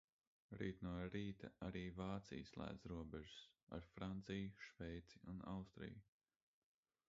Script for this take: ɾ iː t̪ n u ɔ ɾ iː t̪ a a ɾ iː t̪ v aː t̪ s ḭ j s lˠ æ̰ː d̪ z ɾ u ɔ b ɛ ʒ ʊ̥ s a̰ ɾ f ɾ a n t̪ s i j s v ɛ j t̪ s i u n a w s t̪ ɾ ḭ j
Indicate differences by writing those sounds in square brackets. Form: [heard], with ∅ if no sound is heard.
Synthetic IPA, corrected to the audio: ɾ iː t̪ n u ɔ ɾ iː t̪ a a ɾ iː [∅] v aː t̪ s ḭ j s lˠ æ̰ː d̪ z ɾ u ɔ b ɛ ʒ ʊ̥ s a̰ ɾ f ɾ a n t̪ s i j [ʃ] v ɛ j t̪ s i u n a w s t̪ ɾ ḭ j

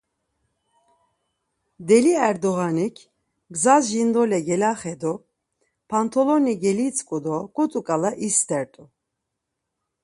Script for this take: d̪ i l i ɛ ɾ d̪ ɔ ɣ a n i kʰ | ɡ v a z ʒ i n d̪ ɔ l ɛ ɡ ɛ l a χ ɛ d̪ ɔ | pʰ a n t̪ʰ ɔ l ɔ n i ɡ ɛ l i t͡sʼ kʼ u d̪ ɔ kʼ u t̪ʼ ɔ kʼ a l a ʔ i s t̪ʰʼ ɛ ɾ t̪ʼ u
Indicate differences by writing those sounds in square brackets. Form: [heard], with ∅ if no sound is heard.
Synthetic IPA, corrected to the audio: d̪ [ɛ] l i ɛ ɾ d̪ ɔ ɣ a n i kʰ | ɡ [z] a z ʒ i n d̪ ɔ l ɛ ɡ ɛ l a χ ɛ d̪ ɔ | pʰ a n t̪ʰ ɔ l ɔ n i ɡ ɛ l i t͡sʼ kʼ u d̪ ɔ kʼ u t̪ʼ [u] kʼ a l a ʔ i s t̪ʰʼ ɛ ɾ t̪ʼ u

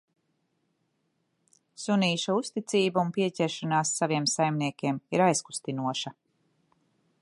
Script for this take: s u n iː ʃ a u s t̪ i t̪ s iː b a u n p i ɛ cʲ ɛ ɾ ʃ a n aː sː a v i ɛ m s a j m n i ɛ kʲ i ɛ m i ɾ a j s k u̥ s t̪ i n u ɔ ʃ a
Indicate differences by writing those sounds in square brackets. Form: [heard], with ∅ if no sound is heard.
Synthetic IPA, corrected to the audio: s u n iː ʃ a u s t̪ i t̪ s iː b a u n p i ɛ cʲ ɛ ɾ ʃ a n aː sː a v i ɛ m s a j m n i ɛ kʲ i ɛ m i ɾ a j s k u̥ s t̪ i n u ɔ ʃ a

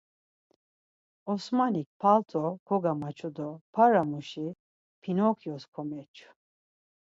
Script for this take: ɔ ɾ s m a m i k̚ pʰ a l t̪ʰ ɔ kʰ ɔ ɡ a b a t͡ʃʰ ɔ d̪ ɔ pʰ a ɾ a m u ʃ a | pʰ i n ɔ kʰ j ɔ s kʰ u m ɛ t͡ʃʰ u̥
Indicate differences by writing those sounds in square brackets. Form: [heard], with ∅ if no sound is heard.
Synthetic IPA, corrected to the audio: ɔ [∅] s m a [n] i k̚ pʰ a l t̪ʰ ɔ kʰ ɔ ɡ a [m] a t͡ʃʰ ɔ d̪ ɔ pʰ a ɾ a m u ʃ [i] | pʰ i n ɔ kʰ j ɔ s kʰ [ɔ] m ɛ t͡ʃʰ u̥

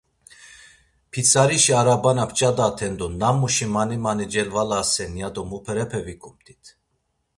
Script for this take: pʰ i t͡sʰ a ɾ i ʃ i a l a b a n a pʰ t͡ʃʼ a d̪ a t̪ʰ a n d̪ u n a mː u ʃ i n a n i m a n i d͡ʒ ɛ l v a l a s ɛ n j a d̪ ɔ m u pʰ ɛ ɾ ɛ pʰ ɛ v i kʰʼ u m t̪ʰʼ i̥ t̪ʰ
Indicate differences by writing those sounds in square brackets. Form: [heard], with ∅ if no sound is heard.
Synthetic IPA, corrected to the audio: pʰ i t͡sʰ a ɾ i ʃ i a [ɾ] a b a n a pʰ t͡ʃʼ a d̪ a t̪ʰ [ɛ] n d̪ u n a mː u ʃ i [m] a n i m a n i d͡ʒ ɛ l v a l a s ɛ n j a d̪ ɔ m u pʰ ɛ ɾ ɛ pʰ ɛ v i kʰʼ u m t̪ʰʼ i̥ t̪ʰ

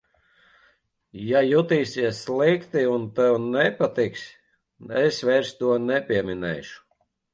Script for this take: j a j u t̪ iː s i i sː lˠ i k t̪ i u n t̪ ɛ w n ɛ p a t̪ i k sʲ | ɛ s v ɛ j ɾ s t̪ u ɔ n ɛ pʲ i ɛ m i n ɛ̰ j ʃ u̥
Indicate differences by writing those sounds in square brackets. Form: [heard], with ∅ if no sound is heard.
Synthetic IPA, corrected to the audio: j a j u t̪ iː s i [ɛ] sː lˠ i k t̪ i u n t̪ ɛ w n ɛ p a t̪ i k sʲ | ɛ s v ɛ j ɾ s t̪ u ɔ n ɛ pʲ i ɛ m i n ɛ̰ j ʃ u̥

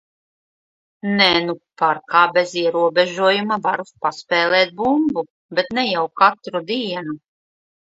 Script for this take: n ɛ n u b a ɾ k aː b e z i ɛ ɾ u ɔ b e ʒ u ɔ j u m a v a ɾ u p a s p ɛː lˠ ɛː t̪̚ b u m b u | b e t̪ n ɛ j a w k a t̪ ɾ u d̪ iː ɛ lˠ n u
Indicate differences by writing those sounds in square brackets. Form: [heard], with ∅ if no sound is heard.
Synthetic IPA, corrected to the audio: n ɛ n u [p] a ɾ k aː b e z i ɛ ɾ u ɔ b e ʒ u ɔ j u m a v a ɾ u p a s p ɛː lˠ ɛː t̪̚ b u m b u | b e t̪ n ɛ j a w k a t̪ ɾ u d̪ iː ɛ [∅] n u

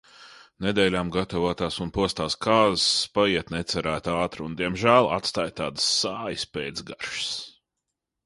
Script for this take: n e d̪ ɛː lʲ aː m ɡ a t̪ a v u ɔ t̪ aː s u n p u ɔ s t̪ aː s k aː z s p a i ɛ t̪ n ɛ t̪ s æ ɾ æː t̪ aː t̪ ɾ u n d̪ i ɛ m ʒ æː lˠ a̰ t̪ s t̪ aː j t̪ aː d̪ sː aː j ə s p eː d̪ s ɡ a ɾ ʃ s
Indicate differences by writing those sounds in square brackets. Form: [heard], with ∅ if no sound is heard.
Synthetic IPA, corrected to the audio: n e d̪ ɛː lʲ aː m ɡ a t̪ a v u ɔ t̪ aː s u n p u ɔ s t̪ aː s k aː z s p a i ɛ t̪ n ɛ t̪ s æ ɾ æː t̪ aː t̪ ɾ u n d̪ i ɛ m ʒ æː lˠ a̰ t̪ s t̪ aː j t̪ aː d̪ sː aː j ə s p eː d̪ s ɡ a ɾ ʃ s

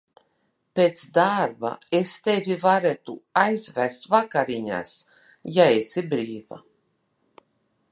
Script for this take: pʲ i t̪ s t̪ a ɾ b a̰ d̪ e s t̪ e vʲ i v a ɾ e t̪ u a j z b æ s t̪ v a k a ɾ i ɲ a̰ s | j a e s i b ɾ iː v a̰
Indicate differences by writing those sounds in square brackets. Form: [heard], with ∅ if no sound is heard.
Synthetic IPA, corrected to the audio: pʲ [e] t̪ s [d̪] a ɾ b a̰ [∅] e s t̪ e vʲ i v a ɾ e t̪ u a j z [v] æ s t̪ v a k a ɾ i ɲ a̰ s | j a e s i b ɾ iː v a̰

